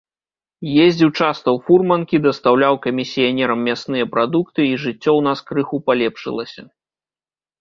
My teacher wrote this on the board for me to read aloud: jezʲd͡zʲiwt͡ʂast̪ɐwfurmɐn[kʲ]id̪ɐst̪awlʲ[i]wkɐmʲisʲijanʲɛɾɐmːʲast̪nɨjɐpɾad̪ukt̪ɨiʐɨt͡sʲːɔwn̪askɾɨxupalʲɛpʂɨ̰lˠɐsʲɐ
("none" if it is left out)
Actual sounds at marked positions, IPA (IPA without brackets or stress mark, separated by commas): kʲ, a